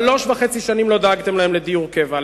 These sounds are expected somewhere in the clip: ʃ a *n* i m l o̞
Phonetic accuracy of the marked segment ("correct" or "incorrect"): correct